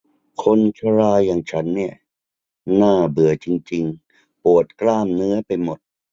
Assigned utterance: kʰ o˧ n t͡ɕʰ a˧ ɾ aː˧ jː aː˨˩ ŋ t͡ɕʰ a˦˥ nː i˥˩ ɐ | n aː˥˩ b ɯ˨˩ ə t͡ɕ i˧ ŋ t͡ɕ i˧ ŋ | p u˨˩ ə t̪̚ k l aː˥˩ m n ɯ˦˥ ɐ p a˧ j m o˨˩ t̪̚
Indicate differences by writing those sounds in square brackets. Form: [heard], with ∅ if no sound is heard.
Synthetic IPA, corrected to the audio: kʰ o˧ n t͡ɕʰ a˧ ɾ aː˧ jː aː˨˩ ŋ t͡ɕʰ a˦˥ nː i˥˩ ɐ | n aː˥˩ b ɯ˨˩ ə t͡ɕ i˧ ŋ t͡ɕ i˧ ŋ | p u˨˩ ə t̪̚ k l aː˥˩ m n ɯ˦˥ ɐ p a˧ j m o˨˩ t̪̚